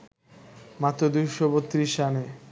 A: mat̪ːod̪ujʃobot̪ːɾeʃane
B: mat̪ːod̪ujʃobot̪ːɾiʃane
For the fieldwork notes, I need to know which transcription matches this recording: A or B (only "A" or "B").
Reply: B